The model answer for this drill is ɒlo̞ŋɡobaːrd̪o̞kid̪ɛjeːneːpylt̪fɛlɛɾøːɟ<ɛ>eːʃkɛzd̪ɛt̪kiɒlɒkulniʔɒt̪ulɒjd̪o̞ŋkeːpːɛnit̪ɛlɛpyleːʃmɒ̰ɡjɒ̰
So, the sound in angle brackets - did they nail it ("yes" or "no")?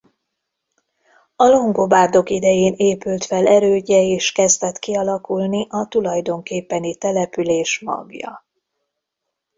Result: yes